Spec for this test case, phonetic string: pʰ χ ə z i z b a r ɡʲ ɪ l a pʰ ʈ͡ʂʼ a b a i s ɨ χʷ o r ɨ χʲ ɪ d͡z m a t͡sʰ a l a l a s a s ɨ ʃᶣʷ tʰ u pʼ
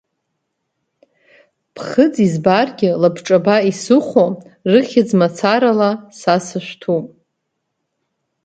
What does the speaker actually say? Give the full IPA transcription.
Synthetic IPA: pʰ χ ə d͡z i z b a r ɡʲ ɪ l a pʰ ʈ͡ʂʼ a b a i s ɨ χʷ o r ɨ χʲ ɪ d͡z m a t͡sʰ a ɾ a l a s a s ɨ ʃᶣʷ tʰ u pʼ

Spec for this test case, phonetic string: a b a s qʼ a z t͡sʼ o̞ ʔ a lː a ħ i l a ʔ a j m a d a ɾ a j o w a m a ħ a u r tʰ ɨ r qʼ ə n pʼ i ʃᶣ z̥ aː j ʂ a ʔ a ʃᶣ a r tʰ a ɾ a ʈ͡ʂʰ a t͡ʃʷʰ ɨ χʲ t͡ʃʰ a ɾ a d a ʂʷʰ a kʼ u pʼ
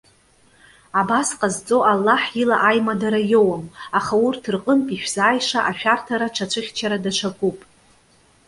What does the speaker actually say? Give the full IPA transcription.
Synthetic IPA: a b a s qʼ a z t͡sʼ o̞ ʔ a lː a ħ i l a ʔ a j m a d a ɾ a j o w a m a χ a u r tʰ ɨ r qʼ ə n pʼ i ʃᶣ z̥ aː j ʂ a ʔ a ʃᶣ a r tʰ a ɾ a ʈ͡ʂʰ a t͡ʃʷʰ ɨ χʲ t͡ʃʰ a ɾ a d a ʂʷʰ a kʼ u pʼ

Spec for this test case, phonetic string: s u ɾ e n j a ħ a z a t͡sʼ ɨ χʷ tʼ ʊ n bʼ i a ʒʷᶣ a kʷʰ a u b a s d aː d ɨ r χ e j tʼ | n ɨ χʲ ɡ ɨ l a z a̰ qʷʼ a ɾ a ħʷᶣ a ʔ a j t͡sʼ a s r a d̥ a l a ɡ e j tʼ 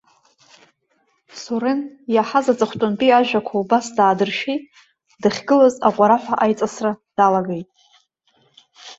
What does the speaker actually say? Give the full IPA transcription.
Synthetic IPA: s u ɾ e n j a ħ a z a t͡sʼ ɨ χʷ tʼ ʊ n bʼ i a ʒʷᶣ a kʷʰ a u b a s d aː d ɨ r ʃ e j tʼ | d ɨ χʲ ɡ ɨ l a z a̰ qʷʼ a ɾ a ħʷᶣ a ʔ a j t͡sʼ a s r a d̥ a l a ɡ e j tʼ

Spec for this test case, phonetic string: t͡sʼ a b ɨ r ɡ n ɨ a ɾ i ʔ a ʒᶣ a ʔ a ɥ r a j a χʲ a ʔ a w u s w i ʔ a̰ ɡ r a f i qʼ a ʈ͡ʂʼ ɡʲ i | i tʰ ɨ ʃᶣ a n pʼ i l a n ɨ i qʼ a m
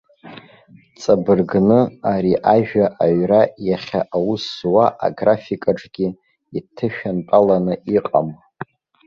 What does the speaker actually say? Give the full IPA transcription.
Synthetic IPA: t͡sʼ a b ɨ r ɡ n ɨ a ɾ i ʔ a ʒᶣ a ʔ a ɥ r a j a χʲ a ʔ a w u s w a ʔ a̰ ɡ r a f i kʼ a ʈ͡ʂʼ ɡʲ i | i tʰ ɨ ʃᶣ a n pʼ a l a n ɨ i qʼ a m

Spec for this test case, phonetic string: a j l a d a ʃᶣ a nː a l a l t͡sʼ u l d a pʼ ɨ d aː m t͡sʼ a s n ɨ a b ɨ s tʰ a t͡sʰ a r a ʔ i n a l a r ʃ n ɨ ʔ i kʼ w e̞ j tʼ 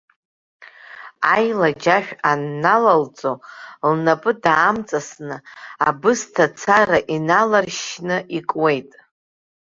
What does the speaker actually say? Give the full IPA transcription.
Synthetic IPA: a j l a d͡ʒ a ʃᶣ a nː a l a l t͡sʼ o l n a pʼ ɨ d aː m t͡sʼ a s n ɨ a b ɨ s tʰ a t͡sʰ a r a ʔ i n a l a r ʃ n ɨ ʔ i kʼ w e̞ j tʼ

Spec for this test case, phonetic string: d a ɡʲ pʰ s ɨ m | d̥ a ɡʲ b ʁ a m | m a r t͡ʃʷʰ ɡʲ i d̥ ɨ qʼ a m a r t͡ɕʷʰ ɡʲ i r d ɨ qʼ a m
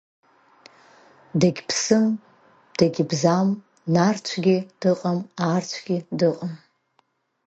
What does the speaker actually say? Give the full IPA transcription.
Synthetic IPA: d a ɡʲ pʰ s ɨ m | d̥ a ɡʲ b z a m | n a r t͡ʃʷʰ ɡʲ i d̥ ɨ qʼ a m a r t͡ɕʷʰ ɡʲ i d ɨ qʼ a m

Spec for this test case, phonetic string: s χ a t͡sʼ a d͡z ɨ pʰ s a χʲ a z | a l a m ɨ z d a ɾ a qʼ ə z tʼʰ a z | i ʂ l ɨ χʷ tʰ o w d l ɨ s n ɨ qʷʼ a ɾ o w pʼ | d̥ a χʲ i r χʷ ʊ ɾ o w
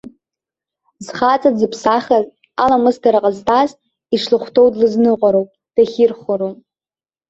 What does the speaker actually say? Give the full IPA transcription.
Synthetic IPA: z χ a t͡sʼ a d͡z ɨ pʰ s a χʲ a z | a l a m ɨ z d a ɾ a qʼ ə z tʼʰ a z | i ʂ l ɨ χʷ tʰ o w d l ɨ z n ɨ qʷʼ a ɾ o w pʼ | d̥ a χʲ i r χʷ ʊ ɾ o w

